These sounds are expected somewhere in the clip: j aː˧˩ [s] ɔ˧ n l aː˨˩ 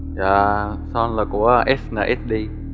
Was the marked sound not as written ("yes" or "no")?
no